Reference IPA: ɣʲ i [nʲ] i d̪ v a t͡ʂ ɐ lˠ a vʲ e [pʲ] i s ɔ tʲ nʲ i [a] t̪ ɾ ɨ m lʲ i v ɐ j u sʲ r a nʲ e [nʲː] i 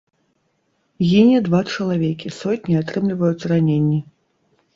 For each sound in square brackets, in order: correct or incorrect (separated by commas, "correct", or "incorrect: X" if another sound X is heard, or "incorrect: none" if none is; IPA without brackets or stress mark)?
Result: correct, incorrect: kʲ, correct, correct